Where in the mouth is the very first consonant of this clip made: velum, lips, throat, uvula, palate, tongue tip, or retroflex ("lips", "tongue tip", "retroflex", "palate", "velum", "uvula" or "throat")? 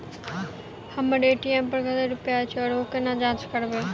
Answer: throat